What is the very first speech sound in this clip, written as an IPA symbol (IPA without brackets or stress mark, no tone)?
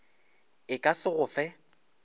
ɪ